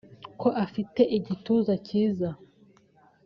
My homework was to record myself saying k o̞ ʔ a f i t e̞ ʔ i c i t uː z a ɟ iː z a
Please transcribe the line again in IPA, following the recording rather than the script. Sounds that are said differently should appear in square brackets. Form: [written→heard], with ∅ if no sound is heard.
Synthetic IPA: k o̞ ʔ a f i t e̞ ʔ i [c→ɟ] i t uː z a [ɟ→c] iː z a

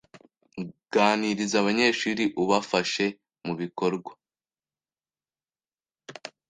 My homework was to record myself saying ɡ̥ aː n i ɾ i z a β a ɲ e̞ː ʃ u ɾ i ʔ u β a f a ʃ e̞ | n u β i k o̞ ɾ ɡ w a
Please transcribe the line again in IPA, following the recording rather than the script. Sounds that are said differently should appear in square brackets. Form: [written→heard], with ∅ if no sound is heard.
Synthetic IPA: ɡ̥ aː n i ɾ i z a β a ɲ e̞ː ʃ u ɾ i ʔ u β a f a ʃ e̞ | [n→m] u β i k o̞ ɾ ɡ w a

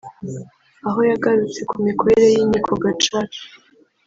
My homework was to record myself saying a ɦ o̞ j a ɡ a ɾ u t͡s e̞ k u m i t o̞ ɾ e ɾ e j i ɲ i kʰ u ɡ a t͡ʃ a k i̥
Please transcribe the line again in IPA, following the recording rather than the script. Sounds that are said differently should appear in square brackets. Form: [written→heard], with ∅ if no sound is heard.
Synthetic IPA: a ɦ o̞ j a ɡ a ɾ u t͡s e̞ k u m i [t→k] o̞ ɾ e ɾ e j i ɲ i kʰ [u→o] ɡ a t͡ʃ a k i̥

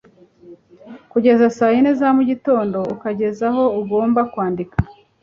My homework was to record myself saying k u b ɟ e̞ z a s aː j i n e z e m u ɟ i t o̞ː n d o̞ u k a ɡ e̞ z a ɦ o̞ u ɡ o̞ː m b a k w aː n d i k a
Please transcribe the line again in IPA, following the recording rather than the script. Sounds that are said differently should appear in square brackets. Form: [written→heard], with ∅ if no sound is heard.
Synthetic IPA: k u [b→∅] ɟ e̞ z a s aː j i n e z [e→a] m u ɟ i t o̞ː n d o̞ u k a [ɡ→ɟ] e̞ z a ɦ o̞ u ɡ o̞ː m b a k w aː n d i k a

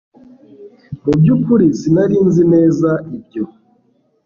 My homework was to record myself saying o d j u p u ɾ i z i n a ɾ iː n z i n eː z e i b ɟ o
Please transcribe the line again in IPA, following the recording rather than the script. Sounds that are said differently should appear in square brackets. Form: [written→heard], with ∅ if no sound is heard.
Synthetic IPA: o [d→b] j u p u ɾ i [z→s] i n a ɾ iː n z i n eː z [e→a] i b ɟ o

